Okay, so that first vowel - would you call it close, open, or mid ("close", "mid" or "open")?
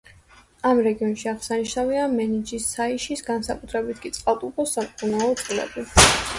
open